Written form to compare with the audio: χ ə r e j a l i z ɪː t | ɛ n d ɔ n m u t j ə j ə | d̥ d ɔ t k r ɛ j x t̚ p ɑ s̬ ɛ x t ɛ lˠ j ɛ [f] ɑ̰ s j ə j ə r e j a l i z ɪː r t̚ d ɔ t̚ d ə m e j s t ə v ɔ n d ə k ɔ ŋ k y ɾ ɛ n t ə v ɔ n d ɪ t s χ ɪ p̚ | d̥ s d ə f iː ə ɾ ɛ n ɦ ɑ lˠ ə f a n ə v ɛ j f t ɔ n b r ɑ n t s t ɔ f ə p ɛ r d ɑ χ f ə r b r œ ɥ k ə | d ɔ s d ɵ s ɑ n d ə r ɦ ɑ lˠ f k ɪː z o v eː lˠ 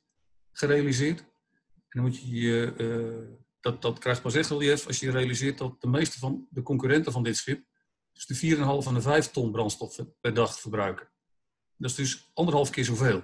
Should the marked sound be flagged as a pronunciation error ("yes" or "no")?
no